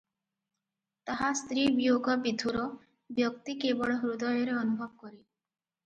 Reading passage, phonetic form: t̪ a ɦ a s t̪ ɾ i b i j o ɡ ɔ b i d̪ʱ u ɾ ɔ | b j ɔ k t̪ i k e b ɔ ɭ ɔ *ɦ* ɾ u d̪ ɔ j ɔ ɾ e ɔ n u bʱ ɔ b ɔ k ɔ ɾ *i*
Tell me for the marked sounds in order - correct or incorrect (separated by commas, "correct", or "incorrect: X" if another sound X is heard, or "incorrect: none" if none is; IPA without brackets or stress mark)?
correct, correct